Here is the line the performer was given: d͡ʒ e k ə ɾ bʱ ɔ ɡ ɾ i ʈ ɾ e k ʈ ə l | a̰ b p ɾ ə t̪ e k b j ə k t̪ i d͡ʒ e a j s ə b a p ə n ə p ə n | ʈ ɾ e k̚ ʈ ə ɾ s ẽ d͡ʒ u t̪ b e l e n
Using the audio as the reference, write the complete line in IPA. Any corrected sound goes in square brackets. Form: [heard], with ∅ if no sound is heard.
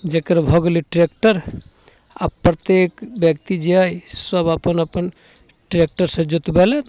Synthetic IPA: d͡ʒ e k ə ɾ bʱ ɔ ɡ [l] i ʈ ɾ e k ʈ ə [ɾ] | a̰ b p ɾ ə t̪ e k b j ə k t̪ i d͡ʒ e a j s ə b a p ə n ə p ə n | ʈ ɾ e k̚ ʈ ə ɾ s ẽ d͡ʒ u t̪ b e l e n